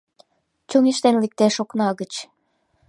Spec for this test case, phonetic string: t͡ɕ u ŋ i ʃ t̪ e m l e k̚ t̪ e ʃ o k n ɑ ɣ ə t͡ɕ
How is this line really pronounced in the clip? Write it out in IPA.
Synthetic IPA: t͡ɕ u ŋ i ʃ t̪ e n l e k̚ t̪ e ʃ o k n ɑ ɣ ə t͡ɕ